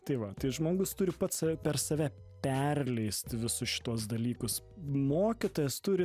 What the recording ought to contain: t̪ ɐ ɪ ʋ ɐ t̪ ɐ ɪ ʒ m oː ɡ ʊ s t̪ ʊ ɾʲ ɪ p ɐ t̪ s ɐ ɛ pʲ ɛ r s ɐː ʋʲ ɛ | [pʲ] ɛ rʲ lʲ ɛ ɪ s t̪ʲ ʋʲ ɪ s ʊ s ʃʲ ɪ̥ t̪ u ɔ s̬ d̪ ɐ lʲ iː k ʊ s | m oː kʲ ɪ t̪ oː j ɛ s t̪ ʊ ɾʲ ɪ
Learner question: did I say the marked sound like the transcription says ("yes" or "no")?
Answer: yes